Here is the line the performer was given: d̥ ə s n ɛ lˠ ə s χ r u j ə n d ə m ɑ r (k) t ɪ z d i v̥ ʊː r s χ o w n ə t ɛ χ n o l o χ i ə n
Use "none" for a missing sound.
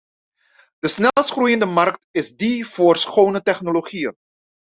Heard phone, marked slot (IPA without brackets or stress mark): k